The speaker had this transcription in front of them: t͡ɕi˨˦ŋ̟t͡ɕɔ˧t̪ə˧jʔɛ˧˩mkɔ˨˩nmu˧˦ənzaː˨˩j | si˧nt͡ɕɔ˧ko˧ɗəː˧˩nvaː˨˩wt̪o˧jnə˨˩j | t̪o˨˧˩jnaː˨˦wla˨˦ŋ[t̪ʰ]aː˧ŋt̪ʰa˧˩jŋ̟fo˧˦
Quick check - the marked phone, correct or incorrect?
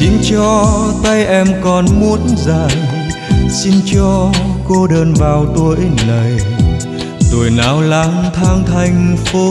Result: correct